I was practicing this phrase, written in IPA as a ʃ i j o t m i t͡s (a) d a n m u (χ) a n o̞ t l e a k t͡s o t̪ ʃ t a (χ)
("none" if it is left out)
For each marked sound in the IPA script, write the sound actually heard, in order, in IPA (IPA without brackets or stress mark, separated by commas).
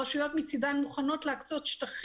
i, χ, χ